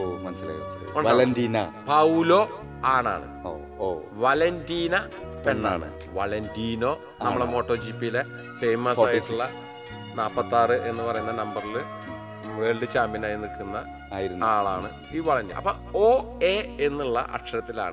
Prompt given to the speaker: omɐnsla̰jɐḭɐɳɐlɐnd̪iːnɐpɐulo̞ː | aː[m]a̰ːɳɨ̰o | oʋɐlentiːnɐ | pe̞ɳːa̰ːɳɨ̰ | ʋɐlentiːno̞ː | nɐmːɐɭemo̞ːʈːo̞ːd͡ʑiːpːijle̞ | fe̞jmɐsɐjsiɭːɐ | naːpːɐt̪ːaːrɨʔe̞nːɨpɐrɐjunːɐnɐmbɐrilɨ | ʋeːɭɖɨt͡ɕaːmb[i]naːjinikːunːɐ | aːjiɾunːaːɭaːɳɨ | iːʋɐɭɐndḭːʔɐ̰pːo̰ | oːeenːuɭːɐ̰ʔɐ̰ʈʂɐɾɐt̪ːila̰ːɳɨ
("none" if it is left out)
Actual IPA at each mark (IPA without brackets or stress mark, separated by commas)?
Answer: ɳ, i